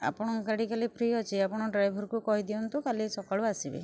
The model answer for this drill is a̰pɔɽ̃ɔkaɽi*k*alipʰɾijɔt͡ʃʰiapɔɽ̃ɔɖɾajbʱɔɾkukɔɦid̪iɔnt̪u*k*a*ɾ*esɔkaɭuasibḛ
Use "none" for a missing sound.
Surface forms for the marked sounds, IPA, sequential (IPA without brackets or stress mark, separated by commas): k, k, l